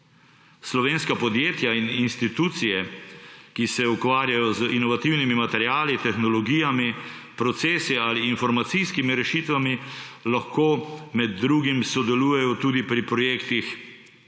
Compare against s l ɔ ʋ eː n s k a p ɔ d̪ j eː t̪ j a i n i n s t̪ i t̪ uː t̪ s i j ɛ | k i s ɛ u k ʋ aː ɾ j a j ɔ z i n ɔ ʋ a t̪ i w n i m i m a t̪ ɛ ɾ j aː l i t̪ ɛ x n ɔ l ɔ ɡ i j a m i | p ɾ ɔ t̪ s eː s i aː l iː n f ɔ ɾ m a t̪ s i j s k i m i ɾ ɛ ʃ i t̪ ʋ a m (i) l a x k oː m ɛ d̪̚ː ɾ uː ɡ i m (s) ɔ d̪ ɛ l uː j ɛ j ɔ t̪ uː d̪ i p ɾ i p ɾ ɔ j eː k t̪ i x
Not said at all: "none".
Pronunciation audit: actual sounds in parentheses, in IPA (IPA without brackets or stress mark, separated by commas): i, s